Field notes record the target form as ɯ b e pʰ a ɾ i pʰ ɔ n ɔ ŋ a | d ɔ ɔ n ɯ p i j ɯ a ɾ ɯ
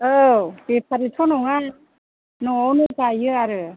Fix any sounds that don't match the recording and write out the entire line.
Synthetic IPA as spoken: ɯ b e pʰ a ɾ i tʰ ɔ n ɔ ŋ a | n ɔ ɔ n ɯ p a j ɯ a ɾ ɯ